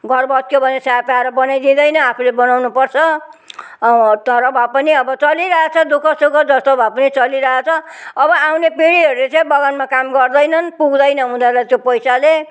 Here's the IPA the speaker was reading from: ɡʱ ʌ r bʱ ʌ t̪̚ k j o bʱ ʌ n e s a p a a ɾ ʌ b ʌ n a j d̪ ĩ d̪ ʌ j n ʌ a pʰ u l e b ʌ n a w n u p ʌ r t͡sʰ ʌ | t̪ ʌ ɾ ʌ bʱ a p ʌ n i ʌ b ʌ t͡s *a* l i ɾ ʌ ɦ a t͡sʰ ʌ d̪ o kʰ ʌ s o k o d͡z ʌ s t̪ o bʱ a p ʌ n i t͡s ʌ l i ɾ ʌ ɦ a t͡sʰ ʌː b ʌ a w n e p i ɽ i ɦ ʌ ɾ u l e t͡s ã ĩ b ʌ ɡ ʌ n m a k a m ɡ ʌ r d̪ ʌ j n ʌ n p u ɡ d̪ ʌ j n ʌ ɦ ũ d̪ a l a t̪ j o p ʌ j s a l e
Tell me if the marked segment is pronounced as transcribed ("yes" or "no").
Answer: no